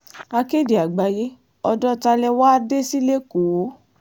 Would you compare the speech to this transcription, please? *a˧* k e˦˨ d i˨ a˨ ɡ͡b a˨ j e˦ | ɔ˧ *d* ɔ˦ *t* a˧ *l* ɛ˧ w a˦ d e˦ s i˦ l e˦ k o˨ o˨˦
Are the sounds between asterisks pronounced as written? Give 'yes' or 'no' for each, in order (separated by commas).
yes, yes, yes, yes